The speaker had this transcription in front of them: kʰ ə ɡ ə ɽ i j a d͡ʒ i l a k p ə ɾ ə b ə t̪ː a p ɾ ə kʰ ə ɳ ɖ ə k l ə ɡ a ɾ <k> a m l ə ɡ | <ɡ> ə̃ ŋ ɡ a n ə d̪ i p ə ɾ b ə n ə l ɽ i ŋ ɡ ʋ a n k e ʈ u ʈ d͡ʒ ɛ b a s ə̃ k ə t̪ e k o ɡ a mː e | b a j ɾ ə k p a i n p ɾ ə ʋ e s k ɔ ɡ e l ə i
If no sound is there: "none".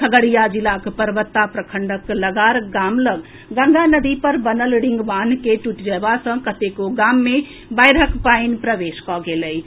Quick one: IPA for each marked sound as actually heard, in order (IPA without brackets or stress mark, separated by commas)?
ɡ, ɡ